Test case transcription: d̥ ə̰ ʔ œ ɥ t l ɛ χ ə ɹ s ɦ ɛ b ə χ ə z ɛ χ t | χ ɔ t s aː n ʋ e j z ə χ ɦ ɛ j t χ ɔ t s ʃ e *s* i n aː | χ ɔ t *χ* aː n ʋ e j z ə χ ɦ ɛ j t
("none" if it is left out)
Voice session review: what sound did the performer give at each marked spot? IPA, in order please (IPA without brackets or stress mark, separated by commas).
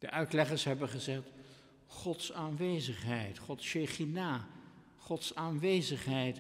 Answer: χ, s